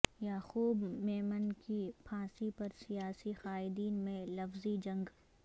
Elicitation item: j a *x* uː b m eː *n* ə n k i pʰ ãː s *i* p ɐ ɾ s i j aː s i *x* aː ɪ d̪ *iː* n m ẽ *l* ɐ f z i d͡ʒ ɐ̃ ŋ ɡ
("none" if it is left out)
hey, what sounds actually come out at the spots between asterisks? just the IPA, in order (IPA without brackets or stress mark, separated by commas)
x, m, i, x, iː, l